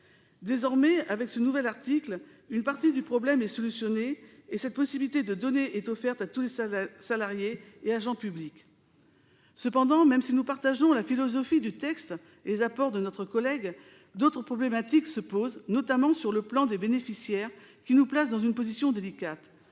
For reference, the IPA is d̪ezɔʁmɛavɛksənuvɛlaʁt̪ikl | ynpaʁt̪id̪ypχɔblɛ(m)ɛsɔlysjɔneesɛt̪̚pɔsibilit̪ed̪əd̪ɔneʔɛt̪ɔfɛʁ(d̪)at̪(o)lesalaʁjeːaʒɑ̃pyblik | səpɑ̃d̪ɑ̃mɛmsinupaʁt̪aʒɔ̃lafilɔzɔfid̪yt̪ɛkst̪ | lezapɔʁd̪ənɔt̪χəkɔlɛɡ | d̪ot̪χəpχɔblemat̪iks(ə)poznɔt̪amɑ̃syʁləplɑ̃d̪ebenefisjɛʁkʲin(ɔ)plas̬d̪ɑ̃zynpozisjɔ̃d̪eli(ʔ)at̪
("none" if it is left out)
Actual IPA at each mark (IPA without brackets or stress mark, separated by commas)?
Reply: m, t̪, u, ə, u, k